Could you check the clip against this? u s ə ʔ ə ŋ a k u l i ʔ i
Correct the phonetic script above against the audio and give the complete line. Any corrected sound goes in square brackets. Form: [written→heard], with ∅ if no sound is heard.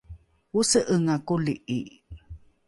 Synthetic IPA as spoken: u s ə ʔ ə ŋ a k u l i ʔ i